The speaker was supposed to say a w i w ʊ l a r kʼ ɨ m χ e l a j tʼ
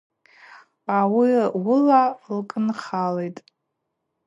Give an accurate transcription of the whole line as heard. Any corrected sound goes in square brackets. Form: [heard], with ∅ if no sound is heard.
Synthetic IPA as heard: a w i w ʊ l a [l] kʼ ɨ [n] χ [a] l [e] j tʼ